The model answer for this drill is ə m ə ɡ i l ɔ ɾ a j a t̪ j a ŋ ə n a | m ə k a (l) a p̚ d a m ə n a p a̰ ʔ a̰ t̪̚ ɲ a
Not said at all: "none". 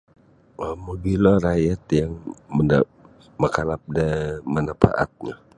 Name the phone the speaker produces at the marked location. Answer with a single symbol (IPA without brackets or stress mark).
l